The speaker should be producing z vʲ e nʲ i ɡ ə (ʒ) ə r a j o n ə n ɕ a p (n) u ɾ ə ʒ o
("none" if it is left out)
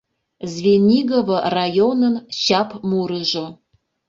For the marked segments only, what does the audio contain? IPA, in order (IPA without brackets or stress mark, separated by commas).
v, m